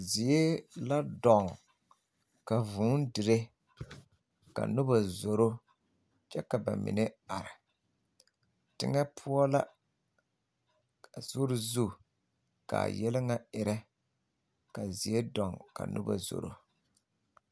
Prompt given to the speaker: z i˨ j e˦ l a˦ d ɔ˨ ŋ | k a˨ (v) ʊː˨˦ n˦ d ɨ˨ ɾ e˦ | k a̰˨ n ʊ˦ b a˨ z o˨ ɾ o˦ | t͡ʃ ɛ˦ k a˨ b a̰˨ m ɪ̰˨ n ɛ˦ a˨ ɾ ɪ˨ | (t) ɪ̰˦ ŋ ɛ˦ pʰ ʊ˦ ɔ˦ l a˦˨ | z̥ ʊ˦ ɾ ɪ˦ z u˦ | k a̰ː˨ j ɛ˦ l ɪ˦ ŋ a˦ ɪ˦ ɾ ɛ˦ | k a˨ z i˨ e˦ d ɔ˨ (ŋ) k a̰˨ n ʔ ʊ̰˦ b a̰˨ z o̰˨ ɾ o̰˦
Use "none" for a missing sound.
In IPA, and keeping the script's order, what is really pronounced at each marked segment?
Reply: v, t, ŋ

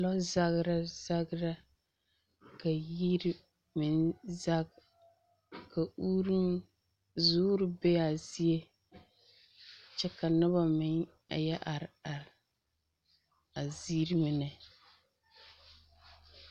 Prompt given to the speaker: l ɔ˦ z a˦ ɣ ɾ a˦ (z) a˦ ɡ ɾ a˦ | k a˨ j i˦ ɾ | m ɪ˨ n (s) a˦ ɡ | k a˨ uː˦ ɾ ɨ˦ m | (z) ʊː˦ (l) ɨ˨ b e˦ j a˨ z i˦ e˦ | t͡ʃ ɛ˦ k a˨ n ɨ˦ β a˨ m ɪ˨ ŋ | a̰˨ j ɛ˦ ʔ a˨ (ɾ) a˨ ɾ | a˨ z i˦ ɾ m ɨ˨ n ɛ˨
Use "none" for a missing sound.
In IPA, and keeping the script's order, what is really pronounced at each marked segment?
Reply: z, z, z, ɾ, ɾ

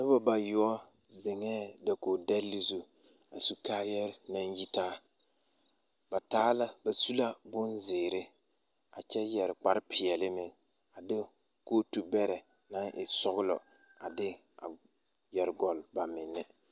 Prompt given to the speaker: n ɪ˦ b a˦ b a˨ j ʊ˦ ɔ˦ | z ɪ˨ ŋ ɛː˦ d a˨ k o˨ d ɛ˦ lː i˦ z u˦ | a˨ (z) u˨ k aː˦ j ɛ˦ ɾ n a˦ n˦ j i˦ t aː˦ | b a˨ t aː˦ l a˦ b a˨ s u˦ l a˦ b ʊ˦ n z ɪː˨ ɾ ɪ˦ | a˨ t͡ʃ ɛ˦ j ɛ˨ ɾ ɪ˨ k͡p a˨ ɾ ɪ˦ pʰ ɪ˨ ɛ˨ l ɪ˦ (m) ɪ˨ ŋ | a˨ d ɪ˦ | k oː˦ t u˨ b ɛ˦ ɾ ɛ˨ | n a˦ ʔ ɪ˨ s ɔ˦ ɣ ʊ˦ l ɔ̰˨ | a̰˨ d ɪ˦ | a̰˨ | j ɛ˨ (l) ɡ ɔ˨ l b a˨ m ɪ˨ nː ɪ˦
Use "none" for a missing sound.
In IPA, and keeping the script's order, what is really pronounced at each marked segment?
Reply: s, m, ɾ

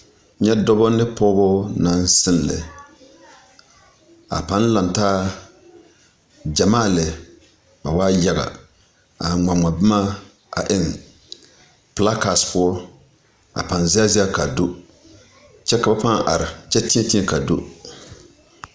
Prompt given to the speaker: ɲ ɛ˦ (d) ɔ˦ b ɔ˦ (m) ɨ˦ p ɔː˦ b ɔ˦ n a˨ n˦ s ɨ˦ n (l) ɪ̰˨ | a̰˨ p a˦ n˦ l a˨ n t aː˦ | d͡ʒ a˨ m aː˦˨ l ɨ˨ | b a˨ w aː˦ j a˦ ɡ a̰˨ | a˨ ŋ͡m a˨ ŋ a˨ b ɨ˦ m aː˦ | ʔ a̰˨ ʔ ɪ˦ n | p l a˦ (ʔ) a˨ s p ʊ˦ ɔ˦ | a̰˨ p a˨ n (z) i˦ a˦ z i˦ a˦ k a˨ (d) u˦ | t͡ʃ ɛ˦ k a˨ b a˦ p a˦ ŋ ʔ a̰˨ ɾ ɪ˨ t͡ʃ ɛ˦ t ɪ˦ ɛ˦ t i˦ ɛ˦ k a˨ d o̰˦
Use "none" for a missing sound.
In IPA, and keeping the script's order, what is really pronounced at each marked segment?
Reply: d, n, l, k, z, d

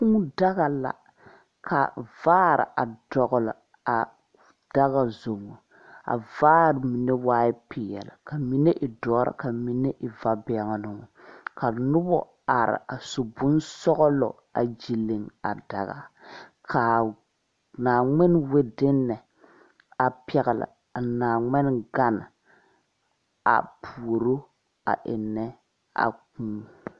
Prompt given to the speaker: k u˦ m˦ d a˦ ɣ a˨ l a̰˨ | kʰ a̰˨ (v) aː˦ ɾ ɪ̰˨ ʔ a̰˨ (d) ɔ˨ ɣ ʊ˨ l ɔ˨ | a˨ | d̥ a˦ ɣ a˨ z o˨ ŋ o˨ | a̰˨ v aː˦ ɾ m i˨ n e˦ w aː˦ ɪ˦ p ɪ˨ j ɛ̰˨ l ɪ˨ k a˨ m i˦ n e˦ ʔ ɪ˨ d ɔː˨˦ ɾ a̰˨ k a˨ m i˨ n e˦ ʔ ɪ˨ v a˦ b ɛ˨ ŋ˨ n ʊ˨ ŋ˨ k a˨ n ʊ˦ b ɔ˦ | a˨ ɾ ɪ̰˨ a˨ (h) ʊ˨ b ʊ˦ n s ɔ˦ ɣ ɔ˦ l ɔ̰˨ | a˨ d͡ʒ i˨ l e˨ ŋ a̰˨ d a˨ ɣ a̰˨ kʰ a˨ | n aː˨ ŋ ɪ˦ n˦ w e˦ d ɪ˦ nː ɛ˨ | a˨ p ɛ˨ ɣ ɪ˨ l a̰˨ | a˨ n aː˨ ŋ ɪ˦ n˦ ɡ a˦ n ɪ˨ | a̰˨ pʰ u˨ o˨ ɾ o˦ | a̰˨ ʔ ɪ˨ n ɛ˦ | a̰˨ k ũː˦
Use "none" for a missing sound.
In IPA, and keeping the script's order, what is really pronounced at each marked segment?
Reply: v, d, s

